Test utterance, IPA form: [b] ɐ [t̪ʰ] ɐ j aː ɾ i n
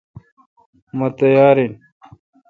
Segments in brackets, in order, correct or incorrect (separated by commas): incorrect, incorrect